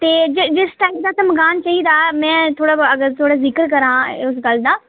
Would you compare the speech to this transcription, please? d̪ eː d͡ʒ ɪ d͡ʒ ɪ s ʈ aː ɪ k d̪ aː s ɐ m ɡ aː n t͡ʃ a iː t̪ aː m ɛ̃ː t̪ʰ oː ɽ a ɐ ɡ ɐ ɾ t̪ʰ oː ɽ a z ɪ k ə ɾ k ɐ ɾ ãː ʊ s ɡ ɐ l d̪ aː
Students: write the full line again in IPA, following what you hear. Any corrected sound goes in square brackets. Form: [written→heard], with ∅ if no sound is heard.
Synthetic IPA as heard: [d̪→t̪] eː d͡ʒ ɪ d͡ʒ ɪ s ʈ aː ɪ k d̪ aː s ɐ m ɡ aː n t͡ʃ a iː [t̪→d̪] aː m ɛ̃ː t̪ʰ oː ɽ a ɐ ɡ [ɐ→ə] ɾ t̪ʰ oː ɽ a z ɪ k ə ɾ k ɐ ɾ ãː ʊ s ɡ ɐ l d̪ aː

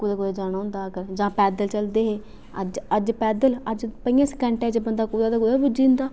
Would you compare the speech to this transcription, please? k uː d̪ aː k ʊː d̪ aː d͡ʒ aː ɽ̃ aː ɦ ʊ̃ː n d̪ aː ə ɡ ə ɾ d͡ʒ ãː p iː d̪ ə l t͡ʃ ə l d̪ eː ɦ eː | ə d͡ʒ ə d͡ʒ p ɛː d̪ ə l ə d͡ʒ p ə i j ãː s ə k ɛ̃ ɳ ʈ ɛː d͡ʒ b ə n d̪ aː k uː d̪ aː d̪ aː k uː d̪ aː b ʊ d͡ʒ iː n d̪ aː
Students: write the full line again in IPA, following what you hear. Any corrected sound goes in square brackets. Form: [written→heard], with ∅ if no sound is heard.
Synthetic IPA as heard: k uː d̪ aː k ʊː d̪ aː d͡ʒ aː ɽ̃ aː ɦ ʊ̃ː n d̪ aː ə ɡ ə ɾ d͡ʒ ãː p [iː→ɛː] d̪ ə l t͡ʃ ə l d̪ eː ɦ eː | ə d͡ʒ ə d͡ʒ p ɛː d̪ ə l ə d͡ʒ p ə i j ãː s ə k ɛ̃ ɳ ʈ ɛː d͡ʒ b ə n d̪ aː k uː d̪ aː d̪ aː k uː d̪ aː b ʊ d͡ʒ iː n d̪ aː

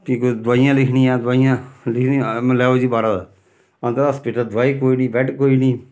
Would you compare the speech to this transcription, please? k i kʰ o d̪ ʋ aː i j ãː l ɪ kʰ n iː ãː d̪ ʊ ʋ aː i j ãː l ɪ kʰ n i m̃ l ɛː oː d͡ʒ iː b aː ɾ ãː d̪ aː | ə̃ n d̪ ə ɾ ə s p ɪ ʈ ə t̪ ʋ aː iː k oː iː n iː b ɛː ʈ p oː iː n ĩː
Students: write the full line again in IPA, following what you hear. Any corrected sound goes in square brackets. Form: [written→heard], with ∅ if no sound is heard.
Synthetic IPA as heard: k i [kʰ→k] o d̪ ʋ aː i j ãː l ɪ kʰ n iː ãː d̪ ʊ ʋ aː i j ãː l ɪ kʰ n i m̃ l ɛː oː d͡ʒ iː b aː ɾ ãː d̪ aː | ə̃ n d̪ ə ɾ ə s p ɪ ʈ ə [t̪→d̪] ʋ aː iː k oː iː n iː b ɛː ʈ [p→k] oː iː n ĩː

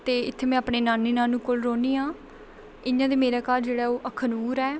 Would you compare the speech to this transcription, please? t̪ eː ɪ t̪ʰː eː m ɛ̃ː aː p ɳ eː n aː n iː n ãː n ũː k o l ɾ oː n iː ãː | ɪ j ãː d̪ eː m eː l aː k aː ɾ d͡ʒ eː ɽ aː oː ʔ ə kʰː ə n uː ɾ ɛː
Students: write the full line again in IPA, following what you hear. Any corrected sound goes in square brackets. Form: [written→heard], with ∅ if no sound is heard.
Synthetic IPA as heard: t̪ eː ɪ t̪ʰː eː m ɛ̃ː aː p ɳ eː n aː n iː n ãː n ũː k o l ɾ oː n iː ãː | ɪ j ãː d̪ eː m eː [l→ɾ] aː k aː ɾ d͡ʒ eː ɽ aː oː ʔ ə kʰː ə n uː ɾ ɛː

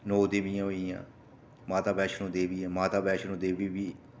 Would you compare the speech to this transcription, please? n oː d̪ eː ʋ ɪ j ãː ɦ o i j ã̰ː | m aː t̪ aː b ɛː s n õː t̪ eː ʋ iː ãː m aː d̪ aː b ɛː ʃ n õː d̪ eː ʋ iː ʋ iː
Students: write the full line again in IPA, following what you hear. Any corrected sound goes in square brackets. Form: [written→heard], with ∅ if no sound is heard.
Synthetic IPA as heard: n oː d̪ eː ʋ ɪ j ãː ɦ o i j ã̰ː | m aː t̪ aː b ɛː [s→ʃ] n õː [t̪→d̪] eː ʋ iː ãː m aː [d̪→t̪] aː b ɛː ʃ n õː d̪ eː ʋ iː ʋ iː

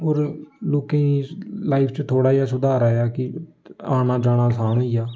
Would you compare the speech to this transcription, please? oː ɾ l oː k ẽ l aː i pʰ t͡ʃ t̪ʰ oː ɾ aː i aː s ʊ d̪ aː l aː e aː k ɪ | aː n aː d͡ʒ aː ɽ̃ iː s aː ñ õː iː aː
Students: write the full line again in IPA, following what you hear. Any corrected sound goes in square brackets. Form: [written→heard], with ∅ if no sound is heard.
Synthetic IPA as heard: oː ɾ l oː k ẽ l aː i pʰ t͡ʃ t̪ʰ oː [ɾ→ɽ] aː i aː s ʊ d̪ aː [l→ɾ] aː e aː k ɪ | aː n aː d͡ʒ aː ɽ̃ [iː→aː] s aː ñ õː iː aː

